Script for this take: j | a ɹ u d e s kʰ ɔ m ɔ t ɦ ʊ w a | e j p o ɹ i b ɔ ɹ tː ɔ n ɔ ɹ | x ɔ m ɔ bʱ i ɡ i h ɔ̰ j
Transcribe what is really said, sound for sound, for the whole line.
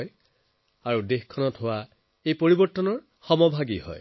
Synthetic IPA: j | a ɹ u d e x kʰ ɔ n ɔ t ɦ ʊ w a | e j p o ɹ i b ɔ ɹ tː ɔ n ɔ ɹ | x ɔ m ɔ bʱ a ɡ i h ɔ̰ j